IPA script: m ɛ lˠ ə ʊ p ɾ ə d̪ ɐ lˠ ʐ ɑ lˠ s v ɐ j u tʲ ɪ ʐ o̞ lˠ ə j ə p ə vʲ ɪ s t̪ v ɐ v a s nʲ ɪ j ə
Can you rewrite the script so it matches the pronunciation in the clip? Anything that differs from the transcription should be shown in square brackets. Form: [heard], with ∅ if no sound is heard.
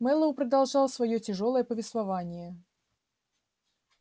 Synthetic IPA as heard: m ɛ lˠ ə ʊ p ɾ ə d̪ ɐ lˠ ʐ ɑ lˠ s v ɐ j [o] tʲ ɪ ʐ o̞ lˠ ə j ə p ə vʲ ɪ s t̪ v ɐ v a [∅] nʲ ɪ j ə